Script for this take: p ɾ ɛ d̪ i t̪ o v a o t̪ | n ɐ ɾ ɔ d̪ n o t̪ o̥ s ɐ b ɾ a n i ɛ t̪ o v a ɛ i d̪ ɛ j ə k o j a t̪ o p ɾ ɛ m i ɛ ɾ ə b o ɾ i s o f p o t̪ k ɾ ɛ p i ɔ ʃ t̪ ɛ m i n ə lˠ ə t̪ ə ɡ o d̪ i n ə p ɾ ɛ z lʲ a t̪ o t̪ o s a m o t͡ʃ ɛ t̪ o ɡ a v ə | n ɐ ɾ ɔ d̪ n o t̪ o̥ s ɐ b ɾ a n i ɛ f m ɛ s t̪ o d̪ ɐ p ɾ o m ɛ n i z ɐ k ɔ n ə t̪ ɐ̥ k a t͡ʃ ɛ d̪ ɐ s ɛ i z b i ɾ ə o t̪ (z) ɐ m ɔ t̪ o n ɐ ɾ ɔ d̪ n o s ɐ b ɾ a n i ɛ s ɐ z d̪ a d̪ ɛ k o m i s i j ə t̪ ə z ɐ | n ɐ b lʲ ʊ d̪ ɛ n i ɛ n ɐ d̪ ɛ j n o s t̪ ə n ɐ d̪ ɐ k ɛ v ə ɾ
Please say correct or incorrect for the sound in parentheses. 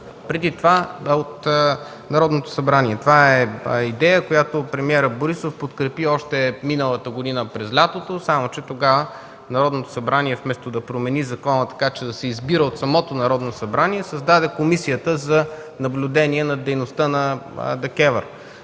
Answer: incorrect: s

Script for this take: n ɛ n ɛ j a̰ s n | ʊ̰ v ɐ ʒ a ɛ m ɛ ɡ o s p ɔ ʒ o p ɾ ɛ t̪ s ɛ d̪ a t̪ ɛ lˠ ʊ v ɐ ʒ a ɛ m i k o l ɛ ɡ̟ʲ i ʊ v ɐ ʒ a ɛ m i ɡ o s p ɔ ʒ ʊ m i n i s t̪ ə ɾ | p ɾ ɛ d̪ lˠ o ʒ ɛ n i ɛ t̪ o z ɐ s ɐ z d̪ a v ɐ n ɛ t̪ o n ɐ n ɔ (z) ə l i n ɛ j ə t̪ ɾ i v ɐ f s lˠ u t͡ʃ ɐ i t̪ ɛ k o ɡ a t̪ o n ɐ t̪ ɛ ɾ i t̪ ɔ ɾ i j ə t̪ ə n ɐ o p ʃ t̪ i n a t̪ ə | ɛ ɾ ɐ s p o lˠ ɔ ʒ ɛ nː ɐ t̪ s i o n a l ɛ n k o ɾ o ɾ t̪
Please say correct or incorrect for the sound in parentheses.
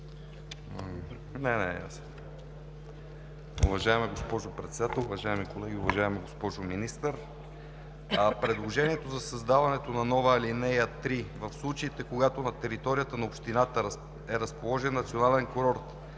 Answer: incorrect: v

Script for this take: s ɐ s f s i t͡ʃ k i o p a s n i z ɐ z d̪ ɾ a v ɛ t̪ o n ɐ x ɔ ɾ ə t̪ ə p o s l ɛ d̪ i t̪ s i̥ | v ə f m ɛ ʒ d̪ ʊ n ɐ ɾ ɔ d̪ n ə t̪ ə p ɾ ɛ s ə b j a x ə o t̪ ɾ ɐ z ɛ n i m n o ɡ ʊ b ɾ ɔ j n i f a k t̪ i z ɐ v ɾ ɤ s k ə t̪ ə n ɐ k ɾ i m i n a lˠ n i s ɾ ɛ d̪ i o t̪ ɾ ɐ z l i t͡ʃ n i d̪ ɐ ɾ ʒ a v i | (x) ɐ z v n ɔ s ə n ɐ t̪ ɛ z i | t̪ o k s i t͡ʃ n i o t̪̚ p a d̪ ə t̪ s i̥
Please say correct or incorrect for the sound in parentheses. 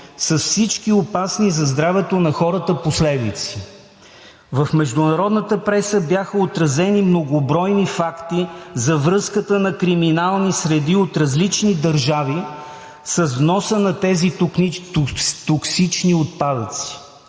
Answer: incorrect: s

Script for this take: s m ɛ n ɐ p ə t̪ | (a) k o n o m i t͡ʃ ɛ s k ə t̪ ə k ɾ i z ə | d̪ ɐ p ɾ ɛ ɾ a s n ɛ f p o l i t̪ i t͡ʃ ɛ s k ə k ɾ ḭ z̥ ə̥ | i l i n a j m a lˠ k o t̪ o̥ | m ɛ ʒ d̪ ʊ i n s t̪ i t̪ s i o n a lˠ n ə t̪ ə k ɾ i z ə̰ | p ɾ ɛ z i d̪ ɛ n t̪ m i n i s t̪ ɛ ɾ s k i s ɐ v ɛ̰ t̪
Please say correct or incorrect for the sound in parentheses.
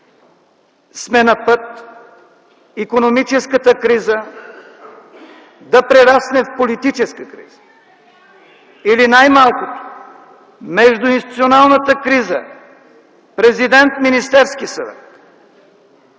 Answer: incorrect: i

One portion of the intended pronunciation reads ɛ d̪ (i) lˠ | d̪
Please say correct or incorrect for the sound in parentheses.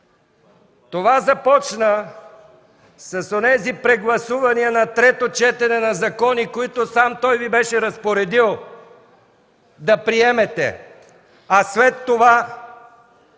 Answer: correct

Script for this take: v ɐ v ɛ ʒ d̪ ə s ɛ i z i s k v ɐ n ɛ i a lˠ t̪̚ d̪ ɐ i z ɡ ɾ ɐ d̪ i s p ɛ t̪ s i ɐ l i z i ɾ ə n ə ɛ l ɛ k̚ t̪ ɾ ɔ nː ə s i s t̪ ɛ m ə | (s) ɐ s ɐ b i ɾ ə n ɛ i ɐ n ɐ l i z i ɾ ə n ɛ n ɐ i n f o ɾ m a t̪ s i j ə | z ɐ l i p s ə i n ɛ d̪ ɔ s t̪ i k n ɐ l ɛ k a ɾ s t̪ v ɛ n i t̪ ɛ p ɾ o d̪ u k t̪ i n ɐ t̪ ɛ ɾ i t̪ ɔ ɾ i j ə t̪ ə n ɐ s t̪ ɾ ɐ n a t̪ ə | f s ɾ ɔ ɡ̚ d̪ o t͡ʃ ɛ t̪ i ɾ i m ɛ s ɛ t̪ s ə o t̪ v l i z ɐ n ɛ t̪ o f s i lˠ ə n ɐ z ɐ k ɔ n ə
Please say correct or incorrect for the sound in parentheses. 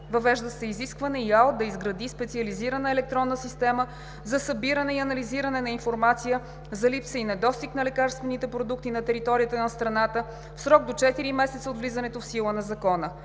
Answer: incorrect: z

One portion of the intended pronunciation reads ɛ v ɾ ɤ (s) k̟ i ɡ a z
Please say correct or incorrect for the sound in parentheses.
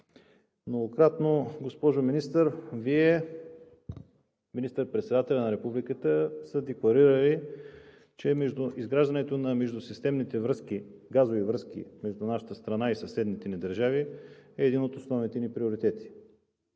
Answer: correct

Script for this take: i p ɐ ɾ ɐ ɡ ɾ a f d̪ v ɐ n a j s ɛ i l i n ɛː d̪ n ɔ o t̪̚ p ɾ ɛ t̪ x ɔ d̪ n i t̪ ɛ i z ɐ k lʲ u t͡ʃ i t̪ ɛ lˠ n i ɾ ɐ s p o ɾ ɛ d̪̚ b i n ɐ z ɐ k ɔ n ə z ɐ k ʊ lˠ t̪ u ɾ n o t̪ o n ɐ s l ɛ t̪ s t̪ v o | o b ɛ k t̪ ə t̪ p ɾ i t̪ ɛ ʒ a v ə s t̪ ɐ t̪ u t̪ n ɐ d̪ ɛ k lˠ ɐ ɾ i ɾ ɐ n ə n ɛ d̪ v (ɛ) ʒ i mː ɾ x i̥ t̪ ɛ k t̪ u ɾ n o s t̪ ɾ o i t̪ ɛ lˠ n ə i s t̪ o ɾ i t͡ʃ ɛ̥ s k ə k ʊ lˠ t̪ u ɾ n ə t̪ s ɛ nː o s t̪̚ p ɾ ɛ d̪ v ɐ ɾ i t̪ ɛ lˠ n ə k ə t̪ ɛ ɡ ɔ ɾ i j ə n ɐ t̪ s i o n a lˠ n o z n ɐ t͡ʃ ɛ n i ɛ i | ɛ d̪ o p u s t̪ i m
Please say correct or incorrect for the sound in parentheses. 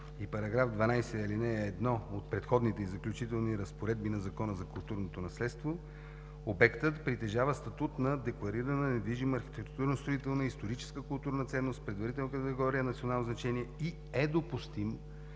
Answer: incorrect: i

